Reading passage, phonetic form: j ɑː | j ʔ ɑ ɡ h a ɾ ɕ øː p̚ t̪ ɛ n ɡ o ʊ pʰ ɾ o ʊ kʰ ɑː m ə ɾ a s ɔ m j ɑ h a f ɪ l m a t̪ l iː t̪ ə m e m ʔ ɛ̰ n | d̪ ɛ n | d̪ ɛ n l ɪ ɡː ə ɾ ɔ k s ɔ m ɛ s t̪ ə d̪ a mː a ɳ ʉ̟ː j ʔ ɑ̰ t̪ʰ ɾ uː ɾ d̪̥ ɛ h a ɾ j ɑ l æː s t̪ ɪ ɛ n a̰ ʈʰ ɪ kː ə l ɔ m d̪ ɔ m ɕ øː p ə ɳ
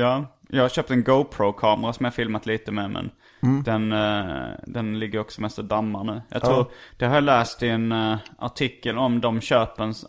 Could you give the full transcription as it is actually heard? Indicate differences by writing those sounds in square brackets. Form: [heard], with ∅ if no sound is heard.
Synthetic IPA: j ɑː | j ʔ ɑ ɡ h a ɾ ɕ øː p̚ t̪ ɛ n ɡ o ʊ pʰ ɾ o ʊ kʰ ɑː m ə ɾ a s ɔ m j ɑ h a f ɪ l m a t̪ l iː t̪ ə m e m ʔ ɛ̰ n | d̪ ɛ n | d̪ ɛ n l ɪ ɡː ə ɾ ɔ k s ɔ m ɛ s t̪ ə d̪ a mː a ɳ ʉ̟ː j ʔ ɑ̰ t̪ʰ ɾ uː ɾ d̪̥ ɛ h a ɾ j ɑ l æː s t̪ ɪ ɛ n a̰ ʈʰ ɪ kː ə l ɔ m d̪ ɔ m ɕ øː p ə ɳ